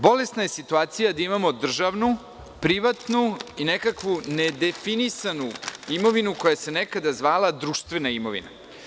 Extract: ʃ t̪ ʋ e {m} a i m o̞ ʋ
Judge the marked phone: incorrect: n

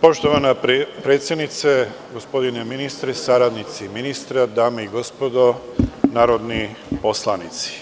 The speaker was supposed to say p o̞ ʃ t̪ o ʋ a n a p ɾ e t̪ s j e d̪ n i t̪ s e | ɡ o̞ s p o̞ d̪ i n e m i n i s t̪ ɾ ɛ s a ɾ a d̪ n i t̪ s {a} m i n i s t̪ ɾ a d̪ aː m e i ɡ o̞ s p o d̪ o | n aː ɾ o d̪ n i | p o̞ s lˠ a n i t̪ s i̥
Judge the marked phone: incorrect: i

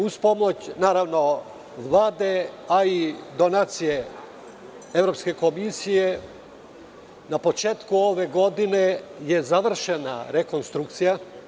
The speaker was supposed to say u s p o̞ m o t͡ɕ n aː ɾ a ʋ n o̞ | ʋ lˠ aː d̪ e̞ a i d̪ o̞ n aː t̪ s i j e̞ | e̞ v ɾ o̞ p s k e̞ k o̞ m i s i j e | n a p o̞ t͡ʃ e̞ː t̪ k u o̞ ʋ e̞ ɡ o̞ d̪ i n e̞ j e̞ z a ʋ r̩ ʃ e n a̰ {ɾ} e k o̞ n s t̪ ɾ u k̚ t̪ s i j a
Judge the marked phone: correct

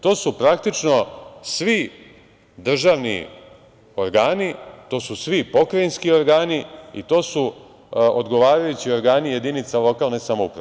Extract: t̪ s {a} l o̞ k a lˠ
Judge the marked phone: correct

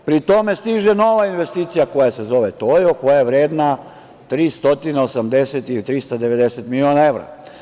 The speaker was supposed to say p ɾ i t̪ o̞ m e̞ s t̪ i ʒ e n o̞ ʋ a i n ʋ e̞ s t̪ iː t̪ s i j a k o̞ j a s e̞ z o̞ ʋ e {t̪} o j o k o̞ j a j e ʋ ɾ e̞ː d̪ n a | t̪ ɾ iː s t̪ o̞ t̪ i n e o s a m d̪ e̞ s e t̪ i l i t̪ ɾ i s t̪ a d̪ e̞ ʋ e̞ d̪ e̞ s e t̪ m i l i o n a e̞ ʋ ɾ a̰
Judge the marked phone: correct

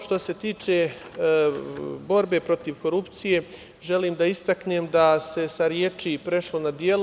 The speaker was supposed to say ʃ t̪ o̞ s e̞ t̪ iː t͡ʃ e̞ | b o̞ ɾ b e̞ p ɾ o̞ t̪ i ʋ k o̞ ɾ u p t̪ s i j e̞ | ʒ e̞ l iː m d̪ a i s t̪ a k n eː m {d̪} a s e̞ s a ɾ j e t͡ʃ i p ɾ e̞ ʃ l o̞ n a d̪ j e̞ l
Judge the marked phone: correct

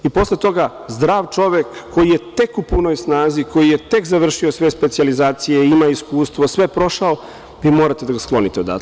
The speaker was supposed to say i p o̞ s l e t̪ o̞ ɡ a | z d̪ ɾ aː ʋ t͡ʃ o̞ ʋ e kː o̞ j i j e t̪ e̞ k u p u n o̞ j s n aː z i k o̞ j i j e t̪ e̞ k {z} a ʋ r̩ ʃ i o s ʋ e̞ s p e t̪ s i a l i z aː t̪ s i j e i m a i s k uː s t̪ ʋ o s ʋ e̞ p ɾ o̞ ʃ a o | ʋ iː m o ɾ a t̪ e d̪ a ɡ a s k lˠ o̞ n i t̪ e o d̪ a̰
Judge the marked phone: correct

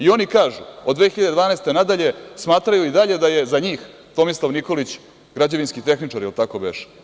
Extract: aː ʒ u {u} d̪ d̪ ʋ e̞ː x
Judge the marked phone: incorrect: o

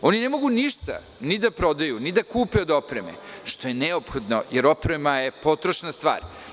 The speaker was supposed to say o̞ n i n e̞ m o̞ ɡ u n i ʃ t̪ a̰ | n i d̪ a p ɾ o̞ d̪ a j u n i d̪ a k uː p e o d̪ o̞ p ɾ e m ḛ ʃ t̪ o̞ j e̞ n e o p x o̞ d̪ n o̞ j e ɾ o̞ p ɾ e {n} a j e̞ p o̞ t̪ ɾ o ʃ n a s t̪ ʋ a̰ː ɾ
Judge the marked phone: incorrect: m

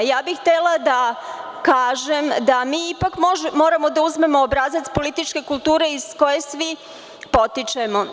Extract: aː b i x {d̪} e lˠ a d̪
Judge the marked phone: incorrect: t̪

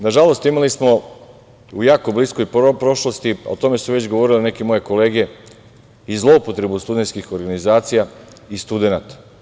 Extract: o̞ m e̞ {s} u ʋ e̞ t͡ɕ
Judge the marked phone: correct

